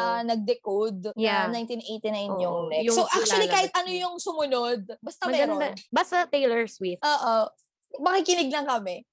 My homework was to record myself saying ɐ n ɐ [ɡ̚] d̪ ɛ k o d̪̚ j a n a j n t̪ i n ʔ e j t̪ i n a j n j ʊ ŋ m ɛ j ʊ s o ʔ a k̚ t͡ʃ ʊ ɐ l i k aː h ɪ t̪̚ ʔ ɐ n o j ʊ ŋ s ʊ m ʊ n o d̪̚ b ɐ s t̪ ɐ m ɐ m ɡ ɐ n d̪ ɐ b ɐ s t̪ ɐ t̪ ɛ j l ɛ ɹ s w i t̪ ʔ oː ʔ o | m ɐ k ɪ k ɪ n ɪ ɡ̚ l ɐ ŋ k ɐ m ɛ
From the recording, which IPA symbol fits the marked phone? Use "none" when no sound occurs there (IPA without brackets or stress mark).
ɡ̚